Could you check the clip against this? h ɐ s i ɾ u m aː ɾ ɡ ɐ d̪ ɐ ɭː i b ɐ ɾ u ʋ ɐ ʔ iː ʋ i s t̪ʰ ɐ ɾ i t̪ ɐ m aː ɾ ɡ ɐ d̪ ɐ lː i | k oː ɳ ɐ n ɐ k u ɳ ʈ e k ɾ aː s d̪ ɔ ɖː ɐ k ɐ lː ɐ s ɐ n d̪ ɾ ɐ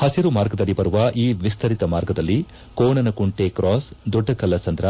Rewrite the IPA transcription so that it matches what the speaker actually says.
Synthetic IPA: h ɐ s i ɾ u m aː ɾ ɡ ɐ d̪ ɐ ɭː i b ɐ ɾ u ʋ ɐ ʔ iː ʋ i s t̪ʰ ɐ ɾ i t̪ ɐ m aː ɾ ɡ ɐ d̪ ɐ lː i | k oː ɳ ɐ n ɐ k u ɳ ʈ e k ɾ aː s d̪ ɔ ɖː ɐ k ɐ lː ɐ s ɐ n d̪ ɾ ɐ